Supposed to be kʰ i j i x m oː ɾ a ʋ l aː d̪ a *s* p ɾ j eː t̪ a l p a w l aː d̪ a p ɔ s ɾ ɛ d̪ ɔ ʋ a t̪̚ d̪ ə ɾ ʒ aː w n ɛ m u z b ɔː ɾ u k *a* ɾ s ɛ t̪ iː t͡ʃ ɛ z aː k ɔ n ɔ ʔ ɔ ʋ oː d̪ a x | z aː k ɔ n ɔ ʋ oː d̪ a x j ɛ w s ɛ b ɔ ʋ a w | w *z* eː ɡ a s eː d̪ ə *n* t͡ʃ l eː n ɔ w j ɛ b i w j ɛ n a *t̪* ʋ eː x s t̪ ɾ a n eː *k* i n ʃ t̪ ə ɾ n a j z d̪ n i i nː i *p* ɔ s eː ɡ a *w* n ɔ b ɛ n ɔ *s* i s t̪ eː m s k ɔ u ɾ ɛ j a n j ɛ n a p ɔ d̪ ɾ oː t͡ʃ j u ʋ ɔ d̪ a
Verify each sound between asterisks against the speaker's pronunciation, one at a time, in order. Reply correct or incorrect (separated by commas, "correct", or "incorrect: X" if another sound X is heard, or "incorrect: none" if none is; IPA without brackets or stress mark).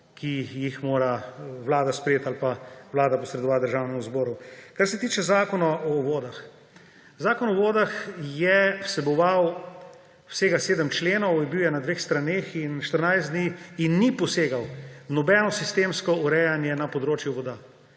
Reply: correct, correct, incorrect: s, incorrect: m, incorrect: d̪, incorrect: x, correct, correct, correct